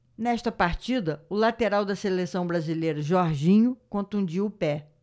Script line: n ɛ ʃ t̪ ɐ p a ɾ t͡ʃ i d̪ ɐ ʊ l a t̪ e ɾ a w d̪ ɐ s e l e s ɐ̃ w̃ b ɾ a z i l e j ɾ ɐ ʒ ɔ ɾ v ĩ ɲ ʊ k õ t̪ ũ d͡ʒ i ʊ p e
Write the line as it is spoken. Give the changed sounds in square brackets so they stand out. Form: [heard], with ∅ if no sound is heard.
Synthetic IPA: n ɛ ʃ t̪ ɐ p a ɾ t͡ʃ i d̪ ɐ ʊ l a t̪ e ɾ a w d̪ ɐ s e l e s ɐ̃ w̃ b ɾ a z i l e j ɾ ɐ ʒ ɔ ɾ [ʒ] ĩ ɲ ʊ k õ t̪ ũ d͡ʒ i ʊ p [ɛ]